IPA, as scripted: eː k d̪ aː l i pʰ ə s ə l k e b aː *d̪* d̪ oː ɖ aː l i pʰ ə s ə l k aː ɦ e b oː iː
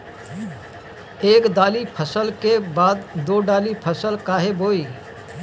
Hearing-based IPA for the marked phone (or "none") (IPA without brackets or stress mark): d̪